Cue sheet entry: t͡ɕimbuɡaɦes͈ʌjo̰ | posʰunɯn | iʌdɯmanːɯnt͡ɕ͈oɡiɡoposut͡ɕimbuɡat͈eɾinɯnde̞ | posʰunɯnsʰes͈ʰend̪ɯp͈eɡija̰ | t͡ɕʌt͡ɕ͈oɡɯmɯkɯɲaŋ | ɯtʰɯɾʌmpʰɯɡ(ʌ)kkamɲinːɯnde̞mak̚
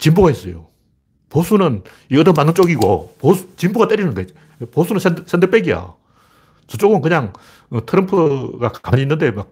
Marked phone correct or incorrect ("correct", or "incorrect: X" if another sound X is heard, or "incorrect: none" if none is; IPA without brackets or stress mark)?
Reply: incorrect: a